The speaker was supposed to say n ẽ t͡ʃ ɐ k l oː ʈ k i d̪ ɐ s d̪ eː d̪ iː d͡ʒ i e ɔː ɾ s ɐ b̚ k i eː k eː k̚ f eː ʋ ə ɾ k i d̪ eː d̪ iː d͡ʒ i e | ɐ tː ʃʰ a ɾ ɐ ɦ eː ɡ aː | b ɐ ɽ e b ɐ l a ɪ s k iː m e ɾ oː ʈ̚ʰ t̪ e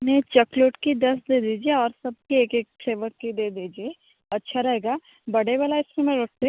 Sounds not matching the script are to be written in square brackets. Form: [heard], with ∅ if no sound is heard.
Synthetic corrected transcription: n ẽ t͡ʃ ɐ k l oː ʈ k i d̪ ɐ s d̪ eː d̪ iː d͡ʒ i e ɔː ɾ s ɐ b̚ k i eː k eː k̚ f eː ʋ ə ɾ k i d̪ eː d̪ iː d͡ʒ i e | ɐ tː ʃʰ a ɾ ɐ ɦ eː ɡ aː | b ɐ ɽ e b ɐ l a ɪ s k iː m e ɾ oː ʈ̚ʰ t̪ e